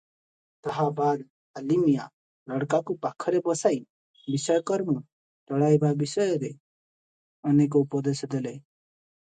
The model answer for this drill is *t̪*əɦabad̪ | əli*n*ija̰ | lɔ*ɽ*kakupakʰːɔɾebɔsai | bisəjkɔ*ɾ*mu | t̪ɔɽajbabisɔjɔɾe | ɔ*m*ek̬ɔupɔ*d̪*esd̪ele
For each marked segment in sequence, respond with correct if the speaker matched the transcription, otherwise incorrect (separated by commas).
correct, incorrect, correct, correct, incorrect, correct